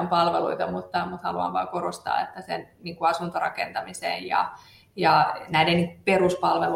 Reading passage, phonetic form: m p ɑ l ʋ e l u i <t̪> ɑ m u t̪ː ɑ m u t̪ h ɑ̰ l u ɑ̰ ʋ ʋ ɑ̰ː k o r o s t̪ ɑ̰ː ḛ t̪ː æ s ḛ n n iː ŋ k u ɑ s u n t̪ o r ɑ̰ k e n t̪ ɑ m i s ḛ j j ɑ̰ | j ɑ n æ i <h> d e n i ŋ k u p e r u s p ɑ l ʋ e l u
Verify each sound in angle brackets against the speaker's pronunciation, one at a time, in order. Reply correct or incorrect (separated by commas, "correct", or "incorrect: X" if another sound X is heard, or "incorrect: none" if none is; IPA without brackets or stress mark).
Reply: correct, incorrect: none